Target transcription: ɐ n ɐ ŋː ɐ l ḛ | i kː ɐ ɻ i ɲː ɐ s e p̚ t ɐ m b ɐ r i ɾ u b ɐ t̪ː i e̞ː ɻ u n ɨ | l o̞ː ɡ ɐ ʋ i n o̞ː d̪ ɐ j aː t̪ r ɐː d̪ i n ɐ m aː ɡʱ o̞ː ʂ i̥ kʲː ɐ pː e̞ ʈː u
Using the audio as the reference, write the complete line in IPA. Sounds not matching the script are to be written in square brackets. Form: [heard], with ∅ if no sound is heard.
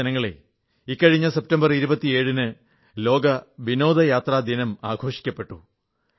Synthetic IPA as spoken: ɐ n ɐ ŋː ɐ [ɭ] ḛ | i kː ɐ ɻ i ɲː ɐ s e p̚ t ɐ m b ɐ r i ɾ u b ɐ t̪ː i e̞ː ɻ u n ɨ | l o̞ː ɡ ɐ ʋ i n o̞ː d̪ ɐ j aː t̪ r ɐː d̪ i n ɐ m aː ɡʱ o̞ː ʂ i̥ kʲː ɐ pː e̞ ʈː u